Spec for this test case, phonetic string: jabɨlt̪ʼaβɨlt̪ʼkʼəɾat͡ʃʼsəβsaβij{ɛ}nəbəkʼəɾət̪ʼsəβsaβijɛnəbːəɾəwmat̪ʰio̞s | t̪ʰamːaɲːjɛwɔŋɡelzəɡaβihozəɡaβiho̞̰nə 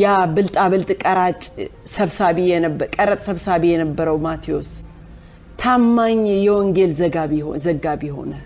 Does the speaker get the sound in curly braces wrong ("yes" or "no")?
no